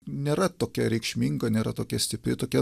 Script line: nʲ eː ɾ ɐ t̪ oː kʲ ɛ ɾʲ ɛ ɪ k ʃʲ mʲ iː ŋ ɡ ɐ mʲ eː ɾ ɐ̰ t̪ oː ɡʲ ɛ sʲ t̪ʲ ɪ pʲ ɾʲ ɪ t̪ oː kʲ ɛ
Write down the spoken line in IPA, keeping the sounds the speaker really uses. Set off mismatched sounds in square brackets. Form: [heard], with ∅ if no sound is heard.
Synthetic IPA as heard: nʲ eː ɾ ɐ t̪ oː kʲ ɛ ɾʲ ɛ ɪ k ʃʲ mʲ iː ŋ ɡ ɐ [nʲ] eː ɾ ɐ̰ t̪ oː [kʲ] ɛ sʲ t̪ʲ ɪ pʲ ɾʲ ɪ t̪ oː kʲ ɛ